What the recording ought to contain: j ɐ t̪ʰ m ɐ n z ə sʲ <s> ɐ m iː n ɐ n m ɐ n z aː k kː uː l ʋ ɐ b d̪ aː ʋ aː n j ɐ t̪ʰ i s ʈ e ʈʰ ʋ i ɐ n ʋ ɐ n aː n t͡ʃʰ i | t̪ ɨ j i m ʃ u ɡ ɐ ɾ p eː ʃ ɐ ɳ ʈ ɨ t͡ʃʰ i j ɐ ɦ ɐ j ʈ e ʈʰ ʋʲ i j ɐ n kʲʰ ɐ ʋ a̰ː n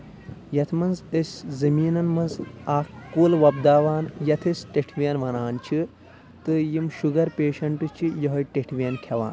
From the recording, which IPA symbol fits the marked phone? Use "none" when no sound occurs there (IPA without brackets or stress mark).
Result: z